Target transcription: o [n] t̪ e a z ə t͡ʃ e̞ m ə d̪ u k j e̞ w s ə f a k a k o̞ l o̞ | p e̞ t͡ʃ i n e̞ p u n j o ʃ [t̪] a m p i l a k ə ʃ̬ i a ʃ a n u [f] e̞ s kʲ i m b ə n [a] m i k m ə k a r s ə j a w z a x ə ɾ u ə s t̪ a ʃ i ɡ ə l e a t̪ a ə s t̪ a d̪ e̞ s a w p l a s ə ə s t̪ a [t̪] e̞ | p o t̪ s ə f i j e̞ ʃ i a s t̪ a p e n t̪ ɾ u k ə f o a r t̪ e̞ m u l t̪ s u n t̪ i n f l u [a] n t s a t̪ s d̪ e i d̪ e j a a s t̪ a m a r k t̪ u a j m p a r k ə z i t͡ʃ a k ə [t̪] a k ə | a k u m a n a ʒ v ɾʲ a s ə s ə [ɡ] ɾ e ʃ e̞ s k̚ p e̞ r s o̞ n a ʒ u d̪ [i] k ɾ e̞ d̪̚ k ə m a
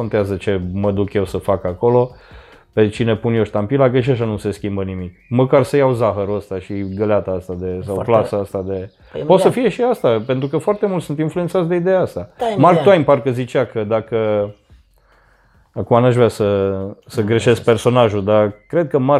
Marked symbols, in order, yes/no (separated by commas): yes, yes, no, no, no, no, no, yes, no